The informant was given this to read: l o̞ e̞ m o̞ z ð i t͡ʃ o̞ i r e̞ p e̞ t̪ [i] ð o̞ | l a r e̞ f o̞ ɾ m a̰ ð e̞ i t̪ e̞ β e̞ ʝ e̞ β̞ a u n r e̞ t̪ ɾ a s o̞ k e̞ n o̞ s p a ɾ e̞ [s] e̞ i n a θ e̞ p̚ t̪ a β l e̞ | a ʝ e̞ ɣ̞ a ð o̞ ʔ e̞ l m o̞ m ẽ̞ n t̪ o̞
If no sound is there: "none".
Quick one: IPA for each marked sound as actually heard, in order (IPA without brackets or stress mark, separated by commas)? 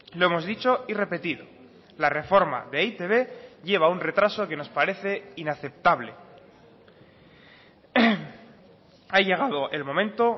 i, θ